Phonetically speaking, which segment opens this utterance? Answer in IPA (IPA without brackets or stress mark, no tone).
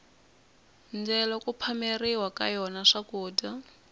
n